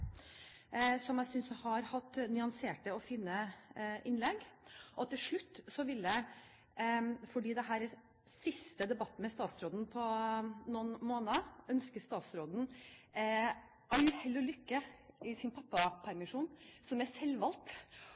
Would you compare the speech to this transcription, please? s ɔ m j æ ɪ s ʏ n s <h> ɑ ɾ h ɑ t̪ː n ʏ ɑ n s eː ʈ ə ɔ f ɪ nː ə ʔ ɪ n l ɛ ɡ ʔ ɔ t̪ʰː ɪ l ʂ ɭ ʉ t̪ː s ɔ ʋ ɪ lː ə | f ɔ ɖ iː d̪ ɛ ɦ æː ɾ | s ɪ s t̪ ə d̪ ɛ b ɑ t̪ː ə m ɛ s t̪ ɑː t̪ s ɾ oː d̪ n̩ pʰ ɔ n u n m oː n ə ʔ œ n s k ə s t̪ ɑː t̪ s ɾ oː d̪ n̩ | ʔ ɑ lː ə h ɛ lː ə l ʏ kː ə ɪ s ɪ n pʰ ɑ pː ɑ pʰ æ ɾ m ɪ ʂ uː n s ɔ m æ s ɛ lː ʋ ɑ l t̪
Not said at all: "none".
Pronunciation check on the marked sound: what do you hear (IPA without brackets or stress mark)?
h